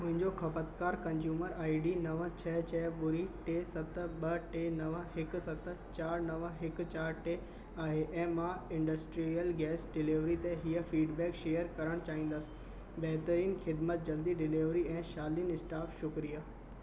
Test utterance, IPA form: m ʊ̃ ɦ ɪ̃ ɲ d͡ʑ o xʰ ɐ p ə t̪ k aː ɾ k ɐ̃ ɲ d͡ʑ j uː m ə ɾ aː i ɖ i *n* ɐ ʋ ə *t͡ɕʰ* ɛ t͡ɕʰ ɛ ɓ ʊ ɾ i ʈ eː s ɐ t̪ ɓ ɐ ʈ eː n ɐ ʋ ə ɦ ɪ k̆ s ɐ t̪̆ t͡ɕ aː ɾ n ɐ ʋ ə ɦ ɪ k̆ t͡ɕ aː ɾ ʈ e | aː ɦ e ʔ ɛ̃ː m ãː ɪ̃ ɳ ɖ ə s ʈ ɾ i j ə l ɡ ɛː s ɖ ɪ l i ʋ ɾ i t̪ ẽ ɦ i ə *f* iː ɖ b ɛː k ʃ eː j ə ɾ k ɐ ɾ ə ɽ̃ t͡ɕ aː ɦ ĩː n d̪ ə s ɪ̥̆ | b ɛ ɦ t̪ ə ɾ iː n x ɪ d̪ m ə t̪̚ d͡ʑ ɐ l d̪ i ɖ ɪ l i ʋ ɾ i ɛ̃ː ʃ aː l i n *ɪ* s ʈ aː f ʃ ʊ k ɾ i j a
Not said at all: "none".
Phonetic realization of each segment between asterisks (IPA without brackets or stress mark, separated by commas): n, t͡ɕʰ, f, ɪ